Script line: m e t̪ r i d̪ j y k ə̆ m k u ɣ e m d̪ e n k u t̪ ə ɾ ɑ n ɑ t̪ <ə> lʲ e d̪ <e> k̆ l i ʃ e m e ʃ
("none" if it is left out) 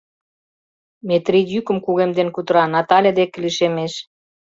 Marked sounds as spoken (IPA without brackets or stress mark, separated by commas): ɑ, e